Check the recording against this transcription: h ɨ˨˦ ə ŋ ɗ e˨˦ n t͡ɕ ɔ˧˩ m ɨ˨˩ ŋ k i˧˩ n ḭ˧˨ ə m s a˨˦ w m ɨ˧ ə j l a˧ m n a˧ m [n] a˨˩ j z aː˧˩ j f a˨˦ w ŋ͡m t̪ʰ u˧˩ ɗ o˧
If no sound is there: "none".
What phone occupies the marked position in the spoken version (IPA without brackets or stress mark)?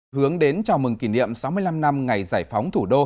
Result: ŋ